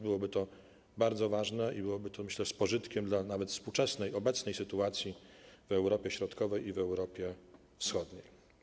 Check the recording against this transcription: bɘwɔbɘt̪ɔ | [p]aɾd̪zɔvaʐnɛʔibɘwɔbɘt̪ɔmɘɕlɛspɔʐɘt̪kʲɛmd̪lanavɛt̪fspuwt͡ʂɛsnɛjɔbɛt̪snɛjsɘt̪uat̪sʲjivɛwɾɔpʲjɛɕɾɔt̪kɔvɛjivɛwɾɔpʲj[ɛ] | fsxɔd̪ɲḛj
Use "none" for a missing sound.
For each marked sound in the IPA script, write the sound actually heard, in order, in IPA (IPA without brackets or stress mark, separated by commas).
b, ɛ